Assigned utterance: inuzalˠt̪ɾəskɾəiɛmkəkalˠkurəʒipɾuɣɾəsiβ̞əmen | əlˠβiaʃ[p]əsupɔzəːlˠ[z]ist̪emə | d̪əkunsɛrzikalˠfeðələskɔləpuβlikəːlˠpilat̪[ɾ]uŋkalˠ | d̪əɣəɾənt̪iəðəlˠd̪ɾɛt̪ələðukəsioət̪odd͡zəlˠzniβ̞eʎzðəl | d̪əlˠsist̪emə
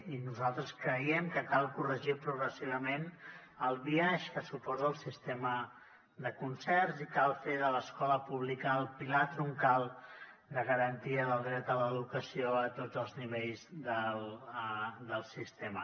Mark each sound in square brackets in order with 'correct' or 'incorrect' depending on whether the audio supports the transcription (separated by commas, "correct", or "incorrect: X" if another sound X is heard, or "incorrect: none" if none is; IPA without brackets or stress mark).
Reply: incorrect: k, incorrect: s, correct